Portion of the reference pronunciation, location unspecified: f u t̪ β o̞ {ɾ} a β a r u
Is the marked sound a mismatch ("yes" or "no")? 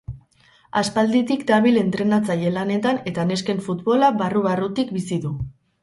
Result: yes